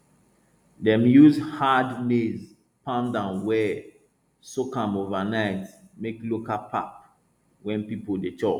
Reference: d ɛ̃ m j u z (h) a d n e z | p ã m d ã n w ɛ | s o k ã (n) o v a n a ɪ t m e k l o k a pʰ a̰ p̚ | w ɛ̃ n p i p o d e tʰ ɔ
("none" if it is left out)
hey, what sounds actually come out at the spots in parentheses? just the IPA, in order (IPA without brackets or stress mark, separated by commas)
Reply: h, m